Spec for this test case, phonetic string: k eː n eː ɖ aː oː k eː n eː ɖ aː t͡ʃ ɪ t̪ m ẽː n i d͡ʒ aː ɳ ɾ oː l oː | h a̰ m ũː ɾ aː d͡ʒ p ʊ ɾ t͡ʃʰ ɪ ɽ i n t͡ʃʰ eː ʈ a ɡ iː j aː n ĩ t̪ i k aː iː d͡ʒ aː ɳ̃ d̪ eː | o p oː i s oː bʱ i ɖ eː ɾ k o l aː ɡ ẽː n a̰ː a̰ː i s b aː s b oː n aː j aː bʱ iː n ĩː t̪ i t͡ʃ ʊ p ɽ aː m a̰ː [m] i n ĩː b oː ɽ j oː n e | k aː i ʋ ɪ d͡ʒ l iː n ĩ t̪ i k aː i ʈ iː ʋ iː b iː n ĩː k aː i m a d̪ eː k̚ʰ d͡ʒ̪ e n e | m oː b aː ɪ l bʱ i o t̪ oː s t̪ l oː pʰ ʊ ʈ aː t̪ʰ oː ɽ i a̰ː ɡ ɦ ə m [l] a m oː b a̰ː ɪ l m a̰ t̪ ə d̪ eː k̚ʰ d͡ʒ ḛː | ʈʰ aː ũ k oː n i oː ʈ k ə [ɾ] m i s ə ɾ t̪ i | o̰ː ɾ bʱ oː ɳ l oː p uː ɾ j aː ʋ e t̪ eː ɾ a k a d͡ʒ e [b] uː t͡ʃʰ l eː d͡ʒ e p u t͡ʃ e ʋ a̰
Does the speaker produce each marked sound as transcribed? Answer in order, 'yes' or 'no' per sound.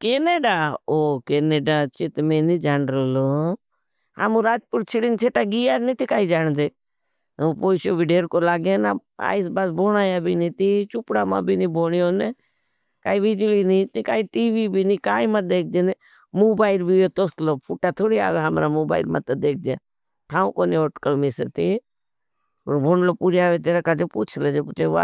no, no, no, no

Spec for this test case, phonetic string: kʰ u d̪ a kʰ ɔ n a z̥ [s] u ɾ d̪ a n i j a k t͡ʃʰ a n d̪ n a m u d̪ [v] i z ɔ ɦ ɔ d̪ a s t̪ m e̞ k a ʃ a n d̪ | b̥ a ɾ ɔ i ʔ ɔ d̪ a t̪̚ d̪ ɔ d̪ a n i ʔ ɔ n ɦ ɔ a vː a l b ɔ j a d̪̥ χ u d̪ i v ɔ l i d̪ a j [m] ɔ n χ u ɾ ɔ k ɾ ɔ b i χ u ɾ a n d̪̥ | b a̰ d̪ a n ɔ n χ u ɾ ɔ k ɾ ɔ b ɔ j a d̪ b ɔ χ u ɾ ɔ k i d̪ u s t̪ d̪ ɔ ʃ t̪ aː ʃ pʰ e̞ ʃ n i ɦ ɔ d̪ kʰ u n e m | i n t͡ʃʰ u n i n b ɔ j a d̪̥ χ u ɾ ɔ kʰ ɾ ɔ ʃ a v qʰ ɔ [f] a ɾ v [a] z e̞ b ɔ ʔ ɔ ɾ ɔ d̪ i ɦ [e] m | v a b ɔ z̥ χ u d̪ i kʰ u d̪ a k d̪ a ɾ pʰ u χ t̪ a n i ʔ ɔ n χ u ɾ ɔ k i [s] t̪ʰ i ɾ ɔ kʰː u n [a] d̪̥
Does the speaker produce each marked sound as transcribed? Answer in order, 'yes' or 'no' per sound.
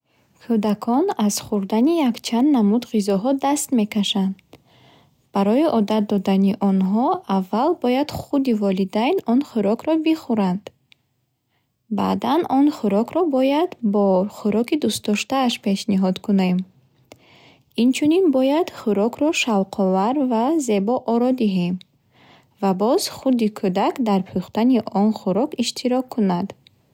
no, no, no, no, yes, yes, no, yes

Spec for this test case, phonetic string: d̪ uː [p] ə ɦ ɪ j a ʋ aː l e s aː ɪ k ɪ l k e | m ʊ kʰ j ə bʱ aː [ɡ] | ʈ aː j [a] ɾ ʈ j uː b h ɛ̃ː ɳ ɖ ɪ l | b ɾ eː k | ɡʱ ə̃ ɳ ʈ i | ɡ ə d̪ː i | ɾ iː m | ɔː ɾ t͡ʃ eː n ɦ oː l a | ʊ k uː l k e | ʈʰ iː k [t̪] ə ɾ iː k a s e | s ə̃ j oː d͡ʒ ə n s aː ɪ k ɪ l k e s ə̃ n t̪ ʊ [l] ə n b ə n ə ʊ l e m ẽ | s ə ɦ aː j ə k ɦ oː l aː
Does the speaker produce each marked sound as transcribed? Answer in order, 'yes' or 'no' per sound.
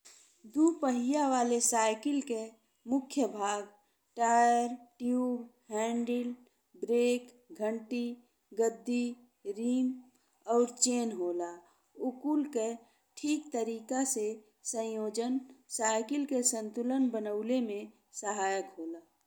yes, yes, no, yes, yes

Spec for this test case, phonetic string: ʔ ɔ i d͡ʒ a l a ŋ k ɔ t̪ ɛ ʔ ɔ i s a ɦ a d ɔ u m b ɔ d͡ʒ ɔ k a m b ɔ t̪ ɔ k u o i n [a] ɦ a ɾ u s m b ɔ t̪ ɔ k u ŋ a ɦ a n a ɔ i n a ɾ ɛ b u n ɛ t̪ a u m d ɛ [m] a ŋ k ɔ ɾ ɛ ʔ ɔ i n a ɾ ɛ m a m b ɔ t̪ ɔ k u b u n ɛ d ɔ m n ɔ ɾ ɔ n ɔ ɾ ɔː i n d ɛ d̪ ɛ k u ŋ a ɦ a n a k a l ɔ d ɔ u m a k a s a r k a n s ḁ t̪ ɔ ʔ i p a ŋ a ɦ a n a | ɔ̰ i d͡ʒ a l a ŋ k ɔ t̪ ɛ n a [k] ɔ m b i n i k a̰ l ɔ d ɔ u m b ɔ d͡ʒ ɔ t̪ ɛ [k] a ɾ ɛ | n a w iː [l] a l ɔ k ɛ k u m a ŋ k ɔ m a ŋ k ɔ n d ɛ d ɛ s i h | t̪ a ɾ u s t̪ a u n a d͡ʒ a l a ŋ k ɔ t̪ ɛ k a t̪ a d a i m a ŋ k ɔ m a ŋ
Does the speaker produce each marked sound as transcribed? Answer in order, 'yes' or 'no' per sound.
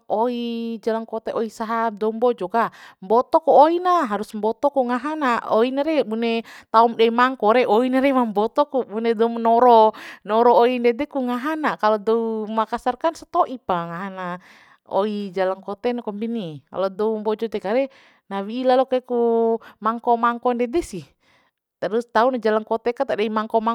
yes, yes, yes, yes, yes

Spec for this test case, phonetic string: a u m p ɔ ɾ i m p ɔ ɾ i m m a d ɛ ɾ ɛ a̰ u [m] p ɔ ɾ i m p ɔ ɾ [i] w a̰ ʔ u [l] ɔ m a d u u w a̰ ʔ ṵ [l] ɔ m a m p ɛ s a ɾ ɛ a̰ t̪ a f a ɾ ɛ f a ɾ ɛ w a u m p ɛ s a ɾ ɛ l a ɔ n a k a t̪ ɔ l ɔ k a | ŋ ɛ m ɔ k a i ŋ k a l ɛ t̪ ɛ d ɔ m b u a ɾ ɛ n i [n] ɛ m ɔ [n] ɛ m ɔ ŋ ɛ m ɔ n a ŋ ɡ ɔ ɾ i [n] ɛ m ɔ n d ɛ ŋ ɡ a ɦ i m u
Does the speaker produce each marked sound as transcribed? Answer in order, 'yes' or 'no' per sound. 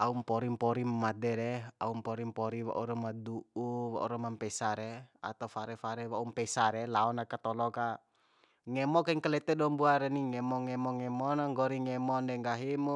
yes, yes, no, no, no, no, no

